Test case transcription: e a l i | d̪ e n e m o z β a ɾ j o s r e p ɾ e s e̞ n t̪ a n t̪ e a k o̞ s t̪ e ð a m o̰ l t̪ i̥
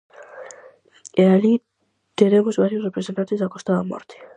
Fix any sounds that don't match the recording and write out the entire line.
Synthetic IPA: e a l i | t̪ e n e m o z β a ɾ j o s r e p ɾ e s e̞ n t̪ a n t̪ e a k o̞ s t̪ a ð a m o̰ ɾ t̪ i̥